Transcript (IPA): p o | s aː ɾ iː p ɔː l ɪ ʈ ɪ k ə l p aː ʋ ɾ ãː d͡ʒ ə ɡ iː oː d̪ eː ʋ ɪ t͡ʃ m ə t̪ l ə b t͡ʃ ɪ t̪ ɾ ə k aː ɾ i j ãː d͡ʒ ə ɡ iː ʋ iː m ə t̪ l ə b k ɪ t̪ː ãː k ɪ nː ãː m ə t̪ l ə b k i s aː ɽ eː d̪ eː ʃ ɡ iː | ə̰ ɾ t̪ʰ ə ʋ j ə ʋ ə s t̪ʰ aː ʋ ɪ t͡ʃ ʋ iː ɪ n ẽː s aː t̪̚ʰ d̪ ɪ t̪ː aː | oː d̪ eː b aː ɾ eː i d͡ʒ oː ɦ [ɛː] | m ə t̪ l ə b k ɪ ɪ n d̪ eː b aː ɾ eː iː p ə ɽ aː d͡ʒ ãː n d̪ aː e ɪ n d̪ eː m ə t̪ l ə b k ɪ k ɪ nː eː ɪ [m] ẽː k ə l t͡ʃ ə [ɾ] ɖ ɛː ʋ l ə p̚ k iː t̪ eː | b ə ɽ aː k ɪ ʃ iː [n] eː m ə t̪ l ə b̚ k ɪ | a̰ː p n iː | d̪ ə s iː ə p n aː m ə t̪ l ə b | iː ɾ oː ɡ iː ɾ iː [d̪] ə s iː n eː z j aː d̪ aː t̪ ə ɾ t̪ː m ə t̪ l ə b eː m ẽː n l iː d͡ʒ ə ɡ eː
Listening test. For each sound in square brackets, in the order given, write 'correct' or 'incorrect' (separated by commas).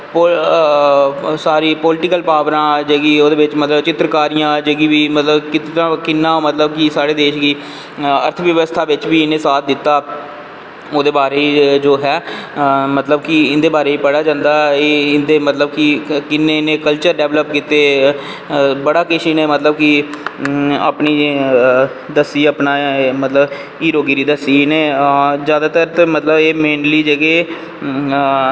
correct, incorrect, correct, correct, correct